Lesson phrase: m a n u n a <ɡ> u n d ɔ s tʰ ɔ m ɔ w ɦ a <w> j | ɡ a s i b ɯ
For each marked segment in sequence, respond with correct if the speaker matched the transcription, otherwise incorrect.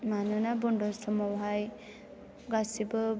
incorrect: b, incorrect: none

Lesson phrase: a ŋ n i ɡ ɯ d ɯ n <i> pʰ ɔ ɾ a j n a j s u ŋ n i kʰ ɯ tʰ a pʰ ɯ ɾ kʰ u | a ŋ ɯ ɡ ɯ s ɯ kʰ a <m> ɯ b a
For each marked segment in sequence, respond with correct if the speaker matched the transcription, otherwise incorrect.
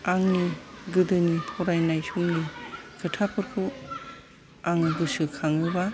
correct, incorrect: ŋ

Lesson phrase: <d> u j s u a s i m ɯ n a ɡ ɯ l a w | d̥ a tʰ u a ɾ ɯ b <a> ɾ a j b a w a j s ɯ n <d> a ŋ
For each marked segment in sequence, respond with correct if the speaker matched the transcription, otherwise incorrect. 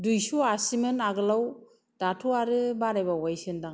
correct, correct, correct

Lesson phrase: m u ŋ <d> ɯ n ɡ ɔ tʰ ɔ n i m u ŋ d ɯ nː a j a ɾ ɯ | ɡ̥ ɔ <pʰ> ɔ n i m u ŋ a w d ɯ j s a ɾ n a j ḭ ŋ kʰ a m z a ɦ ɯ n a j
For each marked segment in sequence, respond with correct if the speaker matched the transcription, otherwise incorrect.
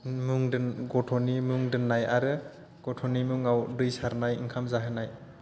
correct, incorrect: tʰ

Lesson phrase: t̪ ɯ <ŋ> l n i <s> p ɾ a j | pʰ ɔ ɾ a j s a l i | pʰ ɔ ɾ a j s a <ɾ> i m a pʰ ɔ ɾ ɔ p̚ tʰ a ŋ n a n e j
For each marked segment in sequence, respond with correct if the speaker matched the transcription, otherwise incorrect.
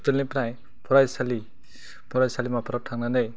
incorrect: none, incorrect: none, incorrect: l

